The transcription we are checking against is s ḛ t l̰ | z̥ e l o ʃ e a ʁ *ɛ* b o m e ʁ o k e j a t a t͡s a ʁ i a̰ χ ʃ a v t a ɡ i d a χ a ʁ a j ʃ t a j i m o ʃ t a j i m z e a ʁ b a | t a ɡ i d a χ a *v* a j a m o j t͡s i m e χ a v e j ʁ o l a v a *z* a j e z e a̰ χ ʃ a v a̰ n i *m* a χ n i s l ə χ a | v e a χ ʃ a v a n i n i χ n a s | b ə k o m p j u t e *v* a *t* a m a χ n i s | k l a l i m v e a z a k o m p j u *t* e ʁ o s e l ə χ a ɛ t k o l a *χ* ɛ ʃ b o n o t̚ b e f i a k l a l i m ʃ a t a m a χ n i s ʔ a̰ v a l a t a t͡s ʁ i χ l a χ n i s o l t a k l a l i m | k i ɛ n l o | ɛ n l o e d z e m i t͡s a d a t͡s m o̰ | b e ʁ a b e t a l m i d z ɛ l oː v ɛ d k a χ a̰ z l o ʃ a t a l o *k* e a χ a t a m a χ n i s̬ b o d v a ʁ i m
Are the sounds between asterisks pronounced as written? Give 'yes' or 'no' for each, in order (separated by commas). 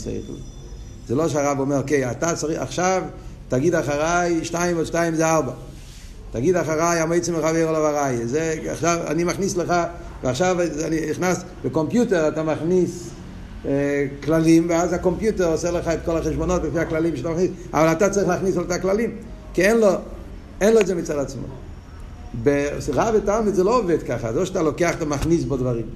no, no, no, yes, no, yes, yes, yes, yes